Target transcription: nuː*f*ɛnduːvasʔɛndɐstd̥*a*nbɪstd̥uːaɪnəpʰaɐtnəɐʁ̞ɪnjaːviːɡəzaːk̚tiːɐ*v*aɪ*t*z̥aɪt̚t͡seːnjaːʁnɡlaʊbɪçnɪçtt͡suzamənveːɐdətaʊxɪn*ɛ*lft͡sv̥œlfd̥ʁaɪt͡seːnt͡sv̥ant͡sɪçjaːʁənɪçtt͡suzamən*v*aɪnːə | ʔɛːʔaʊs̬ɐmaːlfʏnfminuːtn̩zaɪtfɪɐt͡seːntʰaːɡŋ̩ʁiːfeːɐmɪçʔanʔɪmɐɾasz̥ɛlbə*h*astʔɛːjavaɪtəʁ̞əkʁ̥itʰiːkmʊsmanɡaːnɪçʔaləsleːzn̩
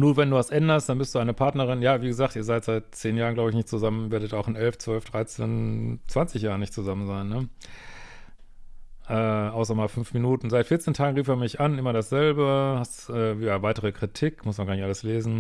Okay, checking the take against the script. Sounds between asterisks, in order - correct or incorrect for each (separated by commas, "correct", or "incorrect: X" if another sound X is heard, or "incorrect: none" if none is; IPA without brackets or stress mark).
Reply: incorrect: v, correct, incorrect: z, correct, correct, incorrect: z, correct